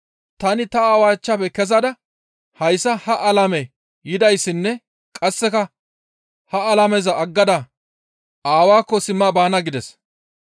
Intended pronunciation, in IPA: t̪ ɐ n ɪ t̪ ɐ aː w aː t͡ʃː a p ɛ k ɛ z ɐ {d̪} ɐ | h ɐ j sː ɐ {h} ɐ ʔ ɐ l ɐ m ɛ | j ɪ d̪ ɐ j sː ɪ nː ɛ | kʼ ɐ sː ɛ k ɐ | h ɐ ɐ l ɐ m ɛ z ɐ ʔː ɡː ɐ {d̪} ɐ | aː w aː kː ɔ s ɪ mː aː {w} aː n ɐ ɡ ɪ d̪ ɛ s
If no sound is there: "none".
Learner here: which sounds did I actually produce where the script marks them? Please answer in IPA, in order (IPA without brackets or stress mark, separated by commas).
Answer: d̪, h, d̪, b